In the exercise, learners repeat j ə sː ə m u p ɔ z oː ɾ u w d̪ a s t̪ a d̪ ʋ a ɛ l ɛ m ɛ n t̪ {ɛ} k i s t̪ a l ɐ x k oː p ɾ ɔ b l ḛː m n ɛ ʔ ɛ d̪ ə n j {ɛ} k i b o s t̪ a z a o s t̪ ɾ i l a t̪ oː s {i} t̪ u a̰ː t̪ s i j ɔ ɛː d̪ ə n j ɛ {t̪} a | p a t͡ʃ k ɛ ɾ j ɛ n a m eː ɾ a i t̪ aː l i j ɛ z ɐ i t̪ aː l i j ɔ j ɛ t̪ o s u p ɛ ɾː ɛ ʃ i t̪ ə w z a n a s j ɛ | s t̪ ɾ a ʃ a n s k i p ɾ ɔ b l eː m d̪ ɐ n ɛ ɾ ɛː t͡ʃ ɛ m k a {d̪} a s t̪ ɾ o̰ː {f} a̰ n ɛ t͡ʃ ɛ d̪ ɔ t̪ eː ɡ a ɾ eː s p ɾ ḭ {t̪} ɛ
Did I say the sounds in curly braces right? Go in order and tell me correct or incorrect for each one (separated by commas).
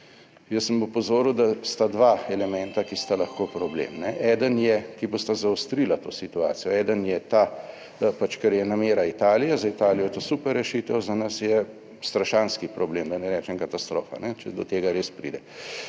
incorrect, correct, correct, correct, incorrect, correct, incorrect